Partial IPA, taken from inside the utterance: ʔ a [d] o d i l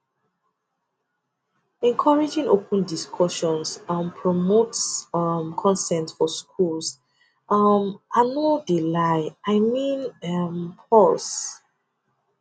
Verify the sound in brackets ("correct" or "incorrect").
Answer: incorrect